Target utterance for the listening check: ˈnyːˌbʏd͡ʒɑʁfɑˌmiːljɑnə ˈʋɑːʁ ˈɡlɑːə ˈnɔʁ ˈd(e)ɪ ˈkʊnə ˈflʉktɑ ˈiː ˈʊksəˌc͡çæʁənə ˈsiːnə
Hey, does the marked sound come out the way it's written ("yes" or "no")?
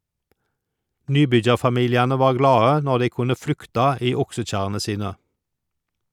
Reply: no